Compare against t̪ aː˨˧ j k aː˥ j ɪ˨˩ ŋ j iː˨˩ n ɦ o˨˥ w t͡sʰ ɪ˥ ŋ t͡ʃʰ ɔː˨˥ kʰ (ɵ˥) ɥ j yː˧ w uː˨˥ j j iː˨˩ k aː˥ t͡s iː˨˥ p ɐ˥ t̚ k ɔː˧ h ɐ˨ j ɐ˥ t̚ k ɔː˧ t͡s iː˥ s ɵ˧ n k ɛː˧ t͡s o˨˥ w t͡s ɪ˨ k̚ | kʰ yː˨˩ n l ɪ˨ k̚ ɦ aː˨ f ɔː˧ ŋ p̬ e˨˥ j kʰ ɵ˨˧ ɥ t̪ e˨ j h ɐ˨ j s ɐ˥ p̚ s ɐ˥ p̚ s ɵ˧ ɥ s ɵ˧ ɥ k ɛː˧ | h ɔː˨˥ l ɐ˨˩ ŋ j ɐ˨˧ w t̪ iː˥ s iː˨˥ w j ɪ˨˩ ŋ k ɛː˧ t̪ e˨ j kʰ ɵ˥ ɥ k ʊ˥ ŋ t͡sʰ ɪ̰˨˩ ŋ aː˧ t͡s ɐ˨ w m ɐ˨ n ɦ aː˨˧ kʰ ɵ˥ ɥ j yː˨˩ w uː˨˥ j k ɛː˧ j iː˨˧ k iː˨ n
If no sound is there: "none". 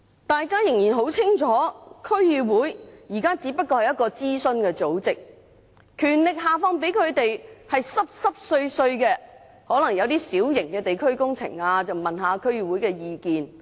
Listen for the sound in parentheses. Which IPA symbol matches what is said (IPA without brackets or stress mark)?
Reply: ɵ˥